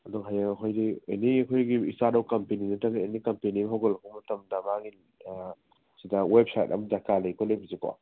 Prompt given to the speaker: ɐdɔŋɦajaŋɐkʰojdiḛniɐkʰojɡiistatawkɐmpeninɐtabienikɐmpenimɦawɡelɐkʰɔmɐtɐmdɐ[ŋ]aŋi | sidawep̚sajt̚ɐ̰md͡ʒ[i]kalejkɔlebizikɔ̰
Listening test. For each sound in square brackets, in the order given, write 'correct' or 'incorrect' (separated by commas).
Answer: incorrect, incorrect